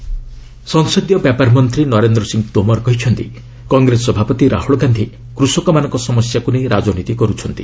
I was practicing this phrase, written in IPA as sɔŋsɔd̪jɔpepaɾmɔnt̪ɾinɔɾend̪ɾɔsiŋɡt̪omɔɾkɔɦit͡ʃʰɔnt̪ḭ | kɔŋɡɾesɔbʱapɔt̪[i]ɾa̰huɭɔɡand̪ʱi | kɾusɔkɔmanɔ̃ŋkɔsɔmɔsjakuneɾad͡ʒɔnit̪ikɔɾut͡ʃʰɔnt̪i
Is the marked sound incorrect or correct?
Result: correct